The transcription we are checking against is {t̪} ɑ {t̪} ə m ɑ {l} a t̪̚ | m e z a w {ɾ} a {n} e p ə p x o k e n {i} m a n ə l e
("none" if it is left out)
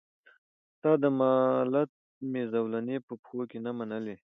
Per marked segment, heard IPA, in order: t̪, d̪, l, l, n, a

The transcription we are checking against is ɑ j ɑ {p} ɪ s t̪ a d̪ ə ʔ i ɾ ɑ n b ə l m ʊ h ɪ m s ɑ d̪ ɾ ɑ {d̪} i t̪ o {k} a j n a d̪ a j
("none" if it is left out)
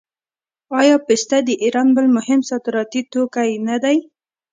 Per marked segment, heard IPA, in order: p, t̪, k

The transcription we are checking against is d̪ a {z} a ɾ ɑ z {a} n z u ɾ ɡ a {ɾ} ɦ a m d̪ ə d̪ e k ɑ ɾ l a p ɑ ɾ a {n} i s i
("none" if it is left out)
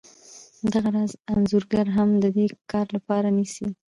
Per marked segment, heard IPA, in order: ɣ, a, ɾ, n

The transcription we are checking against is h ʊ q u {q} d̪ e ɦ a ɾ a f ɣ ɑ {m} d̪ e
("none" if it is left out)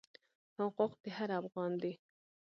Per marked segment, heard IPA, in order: q, n

